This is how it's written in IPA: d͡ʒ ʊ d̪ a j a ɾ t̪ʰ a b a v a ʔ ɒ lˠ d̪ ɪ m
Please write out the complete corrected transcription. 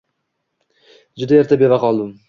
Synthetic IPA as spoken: d͡ʒ ʊ d̪ a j e ɾ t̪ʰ a b e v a q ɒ lˠ d̪ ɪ m